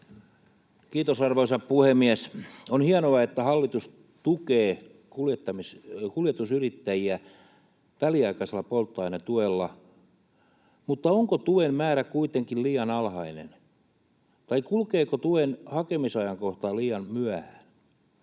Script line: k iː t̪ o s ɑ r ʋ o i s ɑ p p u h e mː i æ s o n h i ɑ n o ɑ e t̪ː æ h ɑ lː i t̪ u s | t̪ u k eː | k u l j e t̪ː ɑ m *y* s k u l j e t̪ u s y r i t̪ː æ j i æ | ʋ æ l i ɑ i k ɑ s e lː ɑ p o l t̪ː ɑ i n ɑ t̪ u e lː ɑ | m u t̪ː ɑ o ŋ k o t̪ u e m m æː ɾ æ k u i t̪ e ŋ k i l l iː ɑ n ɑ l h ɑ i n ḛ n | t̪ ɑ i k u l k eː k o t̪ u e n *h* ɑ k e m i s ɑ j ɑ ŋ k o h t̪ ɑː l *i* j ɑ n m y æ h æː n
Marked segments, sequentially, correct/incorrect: incorrect, correct, incorrect

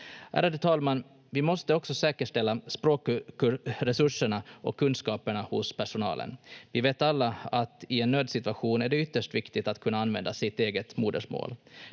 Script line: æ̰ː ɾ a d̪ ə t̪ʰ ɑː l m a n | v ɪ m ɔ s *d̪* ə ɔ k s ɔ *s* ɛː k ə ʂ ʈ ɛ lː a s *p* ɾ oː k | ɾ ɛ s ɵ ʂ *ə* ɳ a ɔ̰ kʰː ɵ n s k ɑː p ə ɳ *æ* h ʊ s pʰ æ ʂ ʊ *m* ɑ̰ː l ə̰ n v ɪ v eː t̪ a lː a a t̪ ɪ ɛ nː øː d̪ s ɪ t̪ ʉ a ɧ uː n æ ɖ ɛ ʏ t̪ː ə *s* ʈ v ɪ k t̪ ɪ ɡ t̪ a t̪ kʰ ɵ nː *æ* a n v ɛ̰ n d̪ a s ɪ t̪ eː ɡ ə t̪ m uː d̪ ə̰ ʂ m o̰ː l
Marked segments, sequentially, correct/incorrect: incorrect, correct, correct, correct, incorrect, incorrect, incorrect, incorrect

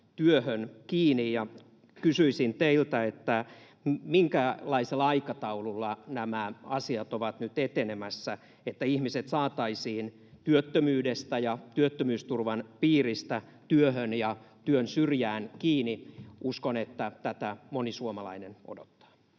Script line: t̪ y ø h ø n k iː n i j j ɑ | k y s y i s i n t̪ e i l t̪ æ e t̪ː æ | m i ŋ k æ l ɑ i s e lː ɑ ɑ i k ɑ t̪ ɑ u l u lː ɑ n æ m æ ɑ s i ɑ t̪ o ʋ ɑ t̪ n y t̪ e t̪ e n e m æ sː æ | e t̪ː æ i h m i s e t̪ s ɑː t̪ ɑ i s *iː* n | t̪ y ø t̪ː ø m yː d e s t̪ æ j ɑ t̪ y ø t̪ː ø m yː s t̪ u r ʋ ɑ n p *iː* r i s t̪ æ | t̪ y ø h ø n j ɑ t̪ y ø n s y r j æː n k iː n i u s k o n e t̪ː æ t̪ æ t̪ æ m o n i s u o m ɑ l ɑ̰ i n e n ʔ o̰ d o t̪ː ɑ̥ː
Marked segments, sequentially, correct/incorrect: correct, correct

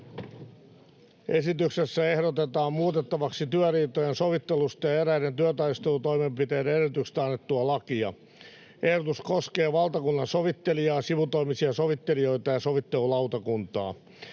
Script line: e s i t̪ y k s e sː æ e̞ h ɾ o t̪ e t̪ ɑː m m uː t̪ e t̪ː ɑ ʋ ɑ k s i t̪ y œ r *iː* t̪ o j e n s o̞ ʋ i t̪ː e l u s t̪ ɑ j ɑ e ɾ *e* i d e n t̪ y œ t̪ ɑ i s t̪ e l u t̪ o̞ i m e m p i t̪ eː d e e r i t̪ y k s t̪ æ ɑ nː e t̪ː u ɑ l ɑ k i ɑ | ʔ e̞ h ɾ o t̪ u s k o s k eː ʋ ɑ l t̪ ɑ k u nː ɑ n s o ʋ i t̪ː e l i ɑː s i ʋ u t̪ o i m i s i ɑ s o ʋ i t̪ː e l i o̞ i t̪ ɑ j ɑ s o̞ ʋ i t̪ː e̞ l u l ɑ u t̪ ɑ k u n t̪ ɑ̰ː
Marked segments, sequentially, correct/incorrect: correct, incorrect

